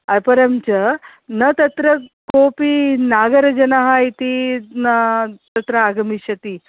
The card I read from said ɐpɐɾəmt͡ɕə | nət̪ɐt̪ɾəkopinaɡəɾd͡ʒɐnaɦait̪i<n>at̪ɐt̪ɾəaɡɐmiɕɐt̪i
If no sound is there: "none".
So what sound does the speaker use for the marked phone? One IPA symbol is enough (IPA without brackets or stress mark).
n